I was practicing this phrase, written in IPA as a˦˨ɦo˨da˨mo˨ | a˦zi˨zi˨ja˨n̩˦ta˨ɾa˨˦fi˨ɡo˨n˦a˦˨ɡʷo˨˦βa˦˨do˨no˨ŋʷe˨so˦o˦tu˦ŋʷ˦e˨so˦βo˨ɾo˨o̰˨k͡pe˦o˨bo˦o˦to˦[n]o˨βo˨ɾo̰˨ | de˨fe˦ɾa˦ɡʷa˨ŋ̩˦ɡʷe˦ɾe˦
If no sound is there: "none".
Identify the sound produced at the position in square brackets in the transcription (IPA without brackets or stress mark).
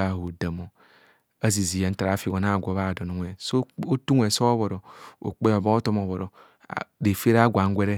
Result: m